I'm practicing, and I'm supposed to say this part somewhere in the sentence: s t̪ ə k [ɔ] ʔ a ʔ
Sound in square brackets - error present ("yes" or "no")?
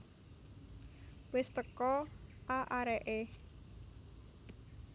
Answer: no